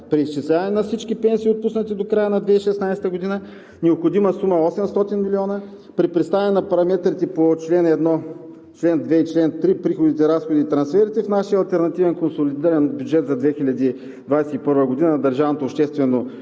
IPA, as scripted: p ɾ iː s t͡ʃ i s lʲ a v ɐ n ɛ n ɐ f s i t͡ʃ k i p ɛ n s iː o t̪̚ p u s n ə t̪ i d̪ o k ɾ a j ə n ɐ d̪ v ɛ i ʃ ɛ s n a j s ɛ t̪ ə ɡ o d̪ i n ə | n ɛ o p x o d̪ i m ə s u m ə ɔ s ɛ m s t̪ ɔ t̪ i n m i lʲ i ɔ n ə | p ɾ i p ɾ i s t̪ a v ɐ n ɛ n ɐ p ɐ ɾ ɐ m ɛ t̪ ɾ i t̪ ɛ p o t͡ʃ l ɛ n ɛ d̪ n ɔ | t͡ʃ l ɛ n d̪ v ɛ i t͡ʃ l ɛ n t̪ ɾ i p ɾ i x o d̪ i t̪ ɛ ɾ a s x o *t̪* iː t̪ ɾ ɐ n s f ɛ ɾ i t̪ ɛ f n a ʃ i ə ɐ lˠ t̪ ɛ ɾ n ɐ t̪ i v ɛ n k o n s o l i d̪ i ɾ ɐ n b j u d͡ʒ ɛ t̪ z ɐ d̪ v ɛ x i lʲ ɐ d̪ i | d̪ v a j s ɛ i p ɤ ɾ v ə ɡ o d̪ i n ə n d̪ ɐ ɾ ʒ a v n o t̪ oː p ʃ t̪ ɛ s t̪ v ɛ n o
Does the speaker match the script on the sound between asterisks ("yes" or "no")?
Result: no